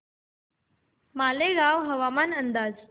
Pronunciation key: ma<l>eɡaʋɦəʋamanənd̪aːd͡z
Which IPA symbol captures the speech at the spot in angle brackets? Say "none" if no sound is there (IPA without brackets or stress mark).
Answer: l